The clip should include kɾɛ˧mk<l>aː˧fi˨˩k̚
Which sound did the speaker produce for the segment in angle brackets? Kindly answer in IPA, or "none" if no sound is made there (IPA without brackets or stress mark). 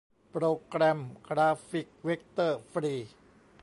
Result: ɾ